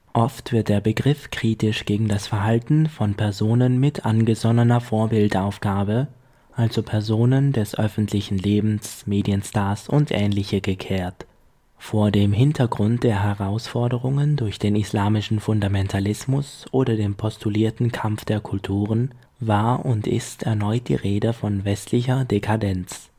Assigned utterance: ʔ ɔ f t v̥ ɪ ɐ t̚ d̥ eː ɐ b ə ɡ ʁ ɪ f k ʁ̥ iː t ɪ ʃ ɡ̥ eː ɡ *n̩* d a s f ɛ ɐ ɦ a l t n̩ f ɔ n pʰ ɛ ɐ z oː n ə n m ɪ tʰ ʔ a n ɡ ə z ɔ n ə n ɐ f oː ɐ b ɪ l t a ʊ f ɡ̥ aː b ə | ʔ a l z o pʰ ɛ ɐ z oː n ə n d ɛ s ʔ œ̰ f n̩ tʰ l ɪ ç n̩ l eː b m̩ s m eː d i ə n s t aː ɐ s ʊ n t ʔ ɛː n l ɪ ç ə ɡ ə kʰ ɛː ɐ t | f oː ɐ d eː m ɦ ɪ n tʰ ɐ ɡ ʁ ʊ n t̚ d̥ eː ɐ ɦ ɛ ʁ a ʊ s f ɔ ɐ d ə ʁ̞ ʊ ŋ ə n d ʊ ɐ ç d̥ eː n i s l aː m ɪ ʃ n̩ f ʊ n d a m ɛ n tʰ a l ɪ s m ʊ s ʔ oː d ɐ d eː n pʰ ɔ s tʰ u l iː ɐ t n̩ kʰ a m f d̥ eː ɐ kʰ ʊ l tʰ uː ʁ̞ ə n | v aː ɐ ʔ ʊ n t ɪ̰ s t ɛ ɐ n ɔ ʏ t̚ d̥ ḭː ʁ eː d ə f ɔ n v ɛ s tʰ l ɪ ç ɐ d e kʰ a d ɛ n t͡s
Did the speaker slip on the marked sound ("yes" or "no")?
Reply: yes